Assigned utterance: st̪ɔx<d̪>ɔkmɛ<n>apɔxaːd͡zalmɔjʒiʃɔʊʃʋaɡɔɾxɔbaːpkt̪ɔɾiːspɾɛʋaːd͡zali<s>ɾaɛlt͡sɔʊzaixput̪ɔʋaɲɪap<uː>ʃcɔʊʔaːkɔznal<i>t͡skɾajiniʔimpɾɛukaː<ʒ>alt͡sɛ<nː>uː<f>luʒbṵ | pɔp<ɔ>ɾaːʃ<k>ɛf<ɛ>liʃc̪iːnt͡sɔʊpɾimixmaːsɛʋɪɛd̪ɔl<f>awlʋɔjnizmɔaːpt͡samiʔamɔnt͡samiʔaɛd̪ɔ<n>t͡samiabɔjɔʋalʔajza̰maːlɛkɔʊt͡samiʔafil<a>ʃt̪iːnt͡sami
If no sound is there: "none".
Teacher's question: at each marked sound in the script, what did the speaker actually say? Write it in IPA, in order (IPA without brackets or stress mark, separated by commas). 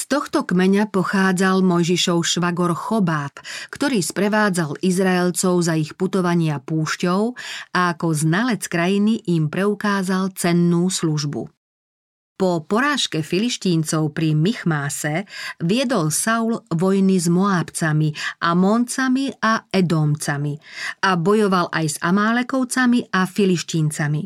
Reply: t̪, ɲ, z, uː, ɛ, z, nː, s, ɔ, k, i, s, m, i